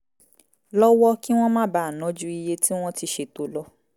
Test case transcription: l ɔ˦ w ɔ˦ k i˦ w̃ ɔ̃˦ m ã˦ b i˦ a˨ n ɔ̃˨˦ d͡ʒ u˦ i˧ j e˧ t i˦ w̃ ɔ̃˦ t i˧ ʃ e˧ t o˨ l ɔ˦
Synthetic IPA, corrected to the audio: l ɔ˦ w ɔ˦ k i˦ w̃ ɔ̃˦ m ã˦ b a˦ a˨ n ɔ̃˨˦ d͡ʒ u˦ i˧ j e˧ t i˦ w̃ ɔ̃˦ t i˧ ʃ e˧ t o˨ l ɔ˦